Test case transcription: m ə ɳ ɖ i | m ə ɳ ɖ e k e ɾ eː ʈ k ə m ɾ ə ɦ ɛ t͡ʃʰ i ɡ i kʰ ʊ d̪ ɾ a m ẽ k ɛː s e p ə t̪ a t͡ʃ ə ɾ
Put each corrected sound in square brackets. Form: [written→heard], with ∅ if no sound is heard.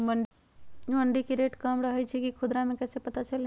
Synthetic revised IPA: m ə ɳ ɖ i | m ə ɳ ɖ [e→i] k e ɾ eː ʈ k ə m ɾ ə ɦ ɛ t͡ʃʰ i [ɡ→k] i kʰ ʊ d̪ ɾ a m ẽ k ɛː s e p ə t̪ a t͡ʃ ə [ɾ→l]